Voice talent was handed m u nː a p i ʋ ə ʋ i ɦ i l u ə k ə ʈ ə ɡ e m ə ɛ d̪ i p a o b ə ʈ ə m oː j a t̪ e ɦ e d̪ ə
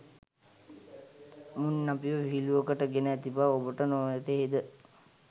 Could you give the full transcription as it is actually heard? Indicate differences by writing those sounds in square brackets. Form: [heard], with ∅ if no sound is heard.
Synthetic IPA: m u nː a p i ʋ ə ʋ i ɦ i l u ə k ə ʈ ə ɡ e [n] ə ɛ [t̪] i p a o b ə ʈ ə [n] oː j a t̪ e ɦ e d̪ ə